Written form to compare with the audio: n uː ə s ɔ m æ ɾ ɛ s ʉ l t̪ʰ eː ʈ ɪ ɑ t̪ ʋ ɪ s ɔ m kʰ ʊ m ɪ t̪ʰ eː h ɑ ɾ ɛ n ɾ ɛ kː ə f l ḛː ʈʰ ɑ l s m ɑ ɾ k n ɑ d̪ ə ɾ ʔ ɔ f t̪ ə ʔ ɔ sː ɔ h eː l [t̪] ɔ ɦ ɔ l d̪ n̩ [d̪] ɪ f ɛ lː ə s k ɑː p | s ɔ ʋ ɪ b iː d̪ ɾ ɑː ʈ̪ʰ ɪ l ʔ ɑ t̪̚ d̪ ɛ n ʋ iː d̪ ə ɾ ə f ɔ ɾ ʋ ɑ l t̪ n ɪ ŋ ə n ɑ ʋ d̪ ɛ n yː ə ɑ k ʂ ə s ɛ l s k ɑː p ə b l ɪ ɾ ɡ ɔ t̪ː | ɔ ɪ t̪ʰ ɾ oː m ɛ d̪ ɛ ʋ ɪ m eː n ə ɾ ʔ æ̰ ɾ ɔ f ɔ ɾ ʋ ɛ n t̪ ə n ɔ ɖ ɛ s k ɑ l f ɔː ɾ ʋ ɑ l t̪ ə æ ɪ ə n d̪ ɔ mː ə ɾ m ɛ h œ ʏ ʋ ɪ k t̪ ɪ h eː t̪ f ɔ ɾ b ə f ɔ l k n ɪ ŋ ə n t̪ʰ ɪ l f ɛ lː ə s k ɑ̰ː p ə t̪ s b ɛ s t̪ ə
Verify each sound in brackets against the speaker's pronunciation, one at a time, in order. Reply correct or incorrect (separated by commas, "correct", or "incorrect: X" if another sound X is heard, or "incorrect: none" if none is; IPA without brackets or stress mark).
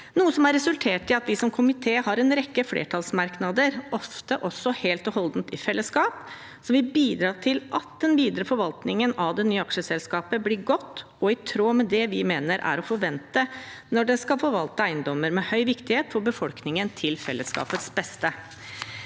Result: correct, incorrect: t̪